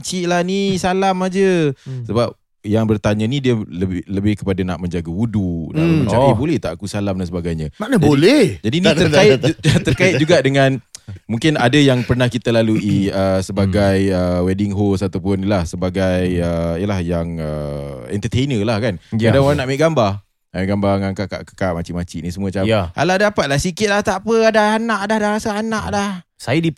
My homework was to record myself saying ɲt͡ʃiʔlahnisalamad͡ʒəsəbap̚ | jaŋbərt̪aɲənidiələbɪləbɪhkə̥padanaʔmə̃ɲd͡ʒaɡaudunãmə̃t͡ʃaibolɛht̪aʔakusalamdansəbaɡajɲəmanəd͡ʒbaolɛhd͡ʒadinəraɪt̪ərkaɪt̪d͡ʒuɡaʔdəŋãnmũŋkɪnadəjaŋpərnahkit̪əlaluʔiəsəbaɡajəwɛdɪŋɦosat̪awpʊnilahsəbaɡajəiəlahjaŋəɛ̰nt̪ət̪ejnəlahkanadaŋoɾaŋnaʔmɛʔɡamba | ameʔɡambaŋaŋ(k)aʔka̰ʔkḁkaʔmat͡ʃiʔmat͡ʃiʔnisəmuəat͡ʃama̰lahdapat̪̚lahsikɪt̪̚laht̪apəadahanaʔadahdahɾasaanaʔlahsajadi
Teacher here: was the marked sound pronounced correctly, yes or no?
yes